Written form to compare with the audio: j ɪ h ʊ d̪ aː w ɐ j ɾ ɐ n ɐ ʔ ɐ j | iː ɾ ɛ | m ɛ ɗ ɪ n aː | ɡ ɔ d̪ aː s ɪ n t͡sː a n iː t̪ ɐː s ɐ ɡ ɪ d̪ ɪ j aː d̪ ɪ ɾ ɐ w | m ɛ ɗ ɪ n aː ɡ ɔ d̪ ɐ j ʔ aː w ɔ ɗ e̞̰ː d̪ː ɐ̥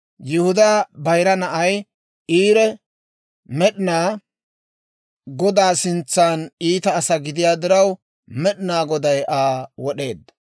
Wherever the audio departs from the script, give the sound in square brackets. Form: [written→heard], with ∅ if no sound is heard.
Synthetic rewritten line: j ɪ h ʊ d̪ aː [w→b] ɐ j ɾ ɐ n ɐ ʔ ɐ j | iː ɾ ɛ | m ɛ ɗ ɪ n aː | ɡ ɔ d̪ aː s ɪ n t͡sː a n iː t̪ ɐː s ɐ ɡ ɪ d̪ ɪ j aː d̪ ɪ ɾ ɐ w | m ɛ ɗ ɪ n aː ɡ ɔ d̪ ɐ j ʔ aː w ɔ ɗ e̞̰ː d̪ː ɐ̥